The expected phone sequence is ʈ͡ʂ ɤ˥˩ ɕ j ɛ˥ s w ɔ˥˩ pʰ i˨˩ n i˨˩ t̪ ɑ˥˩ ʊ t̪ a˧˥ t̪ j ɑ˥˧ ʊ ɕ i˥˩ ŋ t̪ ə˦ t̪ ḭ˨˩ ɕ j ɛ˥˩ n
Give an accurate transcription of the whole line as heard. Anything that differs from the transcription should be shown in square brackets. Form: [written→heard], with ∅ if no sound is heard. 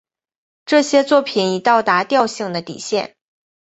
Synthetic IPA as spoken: ʈ͡ʂ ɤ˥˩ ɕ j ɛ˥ [s→t͡s] w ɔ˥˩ pʰ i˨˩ n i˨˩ t̪ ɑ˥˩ ʊ t̪ a˧˥ t̪ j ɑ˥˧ ʊ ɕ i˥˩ ŋ [t̪→d̪] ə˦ t̪ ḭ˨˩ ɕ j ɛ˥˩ n